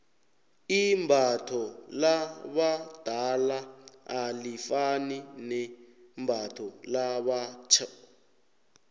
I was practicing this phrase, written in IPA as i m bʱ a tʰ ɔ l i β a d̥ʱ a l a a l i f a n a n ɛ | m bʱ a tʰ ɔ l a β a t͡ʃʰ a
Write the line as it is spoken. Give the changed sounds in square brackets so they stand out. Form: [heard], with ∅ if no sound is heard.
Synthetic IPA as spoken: i m bʱ a tʰ ɔ l [a] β a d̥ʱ a l a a l i f a n [i] n ɛ | m bʱ a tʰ ɔ l a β a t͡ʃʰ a